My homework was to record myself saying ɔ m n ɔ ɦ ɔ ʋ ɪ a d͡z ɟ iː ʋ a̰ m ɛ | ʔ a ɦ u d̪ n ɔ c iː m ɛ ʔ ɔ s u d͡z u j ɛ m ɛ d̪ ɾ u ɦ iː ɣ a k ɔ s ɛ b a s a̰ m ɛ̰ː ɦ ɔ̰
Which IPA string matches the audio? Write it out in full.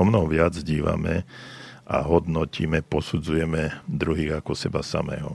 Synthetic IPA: ɔ m n ɔ ɦ ɔ ʋ ɪ a d͡z ɟ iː ʋ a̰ m ɛ | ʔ a ɦ ɔ d̪ n ɔ c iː m ɛ p ɔ s u d͡z u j ɛ m ɛ d̪ ɾ u ɦ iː ɣ a k ɔ s ɛ b a s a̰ m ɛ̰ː ɦ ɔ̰